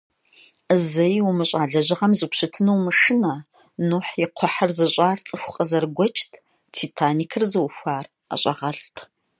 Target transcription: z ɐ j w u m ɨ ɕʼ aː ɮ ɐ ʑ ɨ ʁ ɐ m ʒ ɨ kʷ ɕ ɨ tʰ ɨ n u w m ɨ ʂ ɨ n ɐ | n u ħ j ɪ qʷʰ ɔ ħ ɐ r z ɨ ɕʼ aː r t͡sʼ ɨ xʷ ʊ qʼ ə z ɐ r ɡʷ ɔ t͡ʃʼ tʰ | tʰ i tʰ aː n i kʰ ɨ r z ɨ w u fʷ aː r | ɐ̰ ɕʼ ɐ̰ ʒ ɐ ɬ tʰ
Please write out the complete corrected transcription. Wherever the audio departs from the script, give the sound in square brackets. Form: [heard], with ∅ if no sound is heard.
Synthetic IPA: z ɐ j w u m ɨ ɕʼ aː ɮ ɐ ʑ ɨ ʁ ɐ m [z] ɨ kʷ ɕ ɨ tʰ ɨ n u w m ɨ ʂ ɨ n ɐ | n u ħ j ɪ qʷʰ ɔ ħ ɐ r z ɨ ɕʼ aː r t͡sʼ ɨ xʷ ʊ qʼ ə z ɐ r ɡʷ ɔ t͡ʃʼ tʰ | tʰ i tʰ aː n i kʰ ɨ r z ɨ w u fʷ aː r | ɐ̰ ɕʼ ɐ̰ [ʁ] ɐ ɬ tʰ